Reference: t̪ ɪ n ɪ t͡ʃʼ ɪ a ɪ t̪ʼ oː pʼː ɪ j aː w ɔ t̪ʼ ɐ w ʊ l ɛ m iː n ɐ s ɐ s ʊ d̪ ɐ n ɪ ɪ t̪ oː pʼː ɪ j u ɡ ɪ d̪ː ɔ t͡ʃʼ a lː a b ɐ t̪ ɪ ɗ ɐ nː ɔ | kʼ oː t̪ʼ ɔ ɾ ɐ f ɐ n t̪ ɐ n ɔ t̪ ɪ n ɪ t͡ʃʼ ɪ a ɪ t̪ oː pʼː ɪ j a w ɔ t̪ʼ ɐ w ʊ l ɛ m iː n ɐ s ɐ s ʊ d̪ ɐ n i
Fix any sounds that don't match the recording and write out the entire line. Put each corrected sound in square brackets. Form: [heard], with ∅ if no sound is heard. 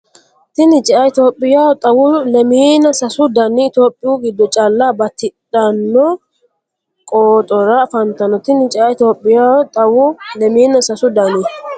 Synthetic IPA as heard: t̪ ɪ n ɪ t͡ʃʼ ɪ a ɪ [t̪] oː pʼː ɪ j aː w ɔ t̪ʼ ɐ w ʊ l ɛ m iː n ɐ s ɐ s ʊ d̪ ɐ n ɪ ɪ t̪ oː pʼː ɪ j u ɡ ɪ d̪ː ɔ t͡ʃʼ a lː a b ɐ t̪ ɪ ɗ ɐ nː ɔ | kʼ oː t̪ʼ ɔ ɾ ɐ f ɐ n t̪ ɐ n ɔ t̪ ɪ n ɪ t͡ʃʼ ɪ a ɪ t̪ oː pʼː ɪ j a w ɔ t̪ʼ ɐ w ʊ l ɛ m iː n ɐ s ɐ s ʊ d̪ ɐ n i